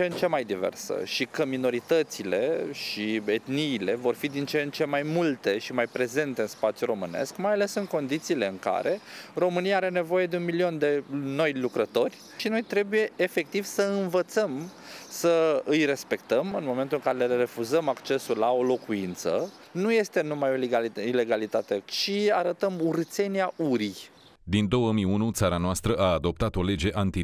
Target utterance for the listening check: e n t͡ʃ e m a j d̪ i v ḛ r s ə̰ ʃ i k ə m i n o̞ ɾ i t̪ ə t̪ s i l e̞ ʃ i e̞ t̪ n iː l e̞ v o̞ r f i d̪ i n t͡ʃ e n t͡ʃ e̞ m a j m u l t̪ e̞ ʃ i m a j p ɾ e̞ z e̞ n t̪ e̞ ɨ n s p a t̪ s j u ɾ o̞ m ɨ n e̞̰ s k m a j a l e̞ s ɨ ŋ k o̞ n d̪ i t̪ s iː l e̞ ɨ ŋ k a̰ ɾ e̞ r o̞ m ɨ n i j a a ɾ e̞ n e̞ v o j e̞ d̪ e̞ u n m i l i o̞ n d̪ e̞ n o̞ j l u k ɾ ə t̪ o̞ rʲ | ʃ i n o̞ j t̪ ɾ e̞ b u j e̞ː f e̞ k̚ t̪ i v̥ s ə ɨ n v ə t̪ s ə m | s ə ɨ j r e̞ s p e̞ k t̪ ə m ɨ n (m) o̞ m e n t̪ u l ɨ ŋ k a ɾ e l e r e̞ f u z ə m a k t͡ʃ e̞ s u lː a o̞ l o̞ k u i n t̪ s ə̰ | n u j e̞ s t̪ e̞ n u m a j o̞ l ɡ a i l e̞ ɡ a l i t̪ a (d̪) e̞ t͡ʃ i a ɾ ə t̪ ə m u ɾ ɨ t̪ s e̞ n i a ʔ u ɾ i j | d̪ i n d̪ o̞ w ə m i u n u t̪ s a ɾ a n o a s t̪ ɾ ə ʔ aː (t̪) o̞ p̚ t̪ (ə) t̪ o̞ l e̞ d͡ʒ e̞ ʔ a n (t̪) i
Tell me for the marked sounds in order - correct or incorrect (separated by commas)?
correct, incorrect, incorrect, incorrect, correct